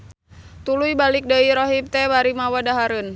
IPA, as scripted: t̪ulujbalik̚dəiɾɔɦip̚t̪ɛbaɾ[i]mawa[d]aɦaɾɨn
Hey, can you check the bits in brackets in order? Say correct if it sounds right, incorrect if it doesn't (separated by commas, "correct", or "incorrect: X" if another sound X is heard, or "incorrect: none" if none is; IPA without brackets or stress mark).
correct, correct